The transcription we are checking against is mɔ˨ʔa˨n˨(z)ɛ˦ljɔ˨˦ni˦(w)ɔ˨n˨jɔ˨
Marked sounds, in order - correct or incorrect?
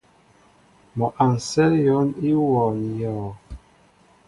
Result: incorrect: s, correct

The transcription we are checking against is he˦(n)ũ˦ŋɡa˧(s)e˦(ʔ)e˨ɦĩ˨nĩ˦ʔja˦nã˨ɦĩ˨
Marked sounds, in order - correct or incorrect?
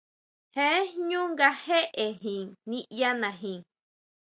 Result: incorrect: ɲ, incorrect: h, correct

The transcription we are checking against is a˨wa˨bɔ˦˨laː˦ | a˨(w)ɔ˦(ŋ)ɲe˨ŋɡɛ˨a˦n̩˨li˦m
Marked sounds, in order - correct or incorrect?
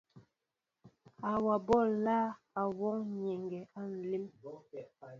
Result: correct, correct

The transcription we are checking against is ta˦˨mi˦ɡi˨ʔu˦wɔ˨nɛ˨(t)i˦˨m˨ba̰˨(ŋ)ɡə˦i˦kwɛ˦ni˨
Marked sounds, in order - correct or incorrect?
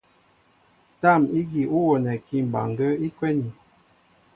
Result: incorrect: k, correct

